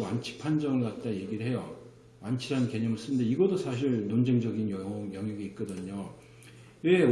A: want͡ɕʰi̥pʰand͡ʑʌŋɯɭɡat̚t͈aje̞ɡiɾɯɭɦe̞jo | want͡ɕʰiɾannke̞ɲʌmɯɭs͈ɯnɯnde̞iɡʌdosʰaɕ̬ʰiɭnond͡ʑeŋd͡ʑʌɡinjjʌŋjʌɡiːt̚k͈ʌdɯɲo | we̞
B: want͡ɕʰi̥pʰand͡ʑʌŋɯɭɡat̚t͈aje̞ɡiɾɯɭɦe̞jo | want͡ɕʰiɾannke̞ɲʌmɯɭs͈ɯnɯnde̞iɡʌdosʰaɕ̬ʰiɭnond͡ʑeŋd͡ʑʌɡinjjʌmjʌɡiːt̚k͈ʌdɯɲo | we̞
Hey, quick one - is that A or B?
A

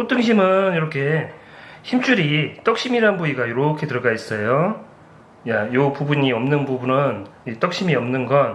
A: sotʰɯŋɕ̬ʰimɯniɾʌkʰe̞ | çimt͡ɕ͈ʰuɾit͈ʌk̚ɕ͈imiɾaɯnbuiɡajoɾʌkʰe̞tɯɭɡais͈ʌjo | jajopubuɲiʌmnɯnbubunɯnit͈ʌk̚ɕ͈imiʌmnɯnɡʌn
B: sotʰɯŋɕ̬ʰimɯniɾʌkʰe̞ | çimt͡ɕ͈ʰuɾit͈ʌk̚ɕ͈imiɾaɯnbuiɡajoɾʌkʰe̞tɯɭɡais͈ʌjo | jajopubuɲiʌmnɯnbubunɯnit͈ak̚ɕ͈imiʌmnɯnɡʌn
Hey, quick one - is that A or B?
A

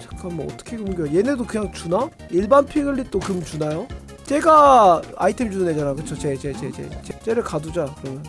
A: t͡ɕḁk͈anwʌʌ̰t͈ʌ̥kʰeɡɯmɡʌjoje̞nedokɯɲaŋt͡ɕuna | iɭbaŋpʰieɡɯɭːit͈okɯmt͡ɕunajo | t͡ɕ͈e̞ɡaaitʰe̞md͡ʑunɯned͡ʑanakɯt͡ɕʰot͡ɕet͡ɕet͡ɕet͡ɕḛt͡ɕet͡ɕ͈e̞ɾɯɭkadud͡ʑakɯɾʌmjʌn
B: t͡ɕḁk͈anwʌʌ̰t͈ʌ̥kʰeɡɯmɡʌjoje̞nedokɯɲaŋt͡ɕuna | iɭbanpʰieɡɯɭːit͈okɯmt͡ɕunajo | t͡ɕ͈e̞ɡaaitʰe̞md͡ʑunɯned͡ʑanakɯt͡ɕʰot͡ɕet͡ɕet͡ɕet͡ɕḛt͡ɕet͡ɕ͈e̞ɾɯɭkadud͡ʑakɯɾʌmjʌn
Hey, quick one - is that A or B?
B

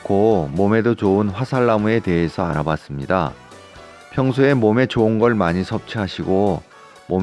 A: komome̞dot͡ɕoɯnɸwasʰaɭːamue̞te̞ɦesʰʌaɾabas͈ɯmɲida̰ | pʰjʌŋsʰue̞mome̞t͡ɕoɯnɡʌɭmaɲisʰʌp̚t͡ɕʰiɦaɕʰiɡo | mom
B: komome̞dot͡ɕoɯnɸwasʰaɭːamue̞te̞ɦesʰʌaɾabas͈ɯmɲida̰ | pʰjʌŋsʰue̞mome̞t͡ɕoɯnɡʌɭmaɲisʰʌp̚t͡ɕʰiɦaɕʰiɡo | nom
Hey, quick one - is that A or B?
A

